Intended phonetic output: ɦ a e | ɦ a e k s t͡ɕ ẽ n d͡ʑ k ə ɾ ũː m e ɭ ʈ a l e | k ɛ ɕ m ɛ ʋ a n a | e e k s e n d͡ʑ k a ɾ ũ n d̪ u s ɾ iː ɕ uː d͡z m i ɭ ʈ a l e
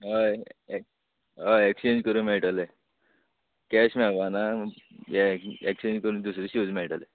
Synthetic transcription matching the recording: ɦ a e | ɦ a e k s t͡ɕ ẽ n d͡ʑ k ə ɾ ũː m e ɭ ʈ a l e | k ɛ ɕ m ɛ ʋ a n a | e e k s e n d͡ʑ k ə ɾ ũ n d̪ u s ɾ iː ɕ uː d͡z m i ɭ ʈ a l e